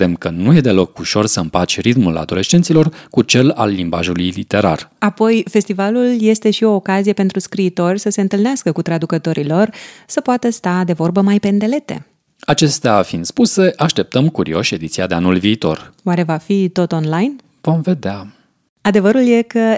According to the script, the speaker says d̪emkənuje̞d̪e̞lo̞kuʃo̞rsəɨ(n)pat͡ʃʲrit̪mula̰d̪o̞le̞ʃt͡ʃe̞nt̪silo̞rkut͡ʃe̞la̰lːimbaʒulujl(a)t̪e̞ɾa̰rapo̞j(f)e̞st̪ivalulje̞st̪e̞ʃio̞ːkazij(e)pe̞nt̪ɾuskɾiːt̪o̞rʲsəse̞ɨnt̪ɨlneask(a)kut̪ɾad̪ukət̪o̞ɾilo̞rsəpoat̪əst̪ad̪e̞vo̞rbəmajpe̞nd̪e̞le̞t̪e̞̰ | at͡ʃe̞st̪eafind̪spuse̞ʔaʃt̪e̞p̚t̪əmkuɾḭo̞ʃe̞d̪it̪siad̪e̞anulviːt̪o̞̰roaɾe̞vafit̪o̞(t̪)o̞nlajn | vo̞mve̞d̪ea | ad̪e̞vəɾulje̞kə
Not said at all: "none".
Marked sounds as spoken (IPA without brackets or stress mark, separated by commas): m, i, f, e, ə, t̪